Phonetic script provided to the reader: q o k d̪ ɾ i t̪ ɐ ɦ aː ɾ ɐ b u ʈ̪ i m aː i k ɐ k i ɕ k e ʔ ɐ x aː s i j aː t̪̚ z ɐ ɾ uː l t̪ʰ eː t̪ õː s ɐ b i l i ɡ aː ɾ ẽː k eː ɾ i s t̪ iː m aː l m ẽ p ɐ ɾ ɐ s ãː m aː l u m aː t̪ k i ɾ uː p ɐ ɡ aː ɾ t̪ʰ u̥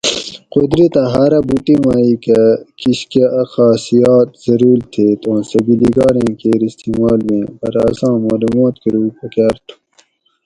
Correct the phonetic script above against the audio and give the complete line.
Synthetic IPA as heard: q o d̪ ɾ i t̪ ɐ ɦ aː ɾ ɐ b u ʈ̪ i m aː i k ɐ k i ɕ k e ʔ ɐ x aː s i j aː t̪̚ z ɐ ɾ uː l t̪ʰ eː t̪ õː s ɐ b i l i ɡ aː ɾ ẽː k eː ɾ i s t̪ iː m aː l m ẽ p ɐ ɾ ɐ s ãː m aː l u m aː t̪ k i ɾ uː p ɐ k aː ɾ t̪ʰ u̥